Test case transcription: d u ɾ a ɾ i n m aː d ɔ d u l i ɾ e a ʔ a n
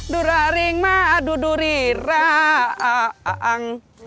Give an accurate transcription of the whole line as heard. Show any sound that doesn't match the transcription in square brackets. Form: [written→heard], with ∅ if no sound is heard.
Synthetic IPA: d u ɾ a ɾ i [n→ŋ] m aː d [ɔ→u] d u [l→ɾ] i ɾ [e→a] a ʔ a [n→ŋ]